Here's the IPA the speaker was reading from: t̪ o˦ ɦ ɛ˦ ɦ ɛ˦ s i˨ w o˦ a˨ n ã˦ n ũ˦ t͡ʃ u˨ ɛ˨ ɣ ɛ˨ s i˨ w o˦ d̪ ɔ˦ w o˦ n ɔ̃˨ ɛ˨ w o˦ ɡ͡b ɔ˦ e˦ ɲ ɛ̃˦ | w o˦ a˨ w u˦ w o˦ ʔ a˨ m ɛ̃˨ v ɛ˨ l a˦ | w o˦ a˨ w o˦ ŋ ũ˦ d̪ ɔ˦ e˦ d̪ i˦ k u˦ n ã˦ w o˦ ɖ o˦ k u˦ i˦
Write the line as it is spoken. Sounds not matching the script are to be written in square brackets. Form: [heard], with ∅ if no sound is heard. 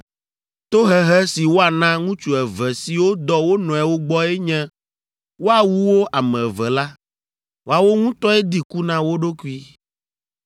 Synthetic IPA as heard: t̪ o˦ ɦ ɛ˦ ɦ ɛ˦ s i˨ w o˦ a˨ n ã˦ [ŋ] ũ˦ t͡ʃ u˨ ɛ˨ [v] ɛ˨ s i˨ w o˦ d̪ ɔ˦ w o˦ n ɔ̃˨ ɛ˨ w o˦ ɡ͡b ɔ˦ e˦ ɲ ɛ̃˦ | w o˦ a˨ w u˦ w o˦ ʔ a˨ m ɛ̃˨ v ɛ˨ l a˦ | w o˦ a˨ w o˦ ŋ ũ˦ [t̪] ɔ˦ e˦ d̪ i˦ k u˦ n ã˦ w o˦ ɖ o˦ k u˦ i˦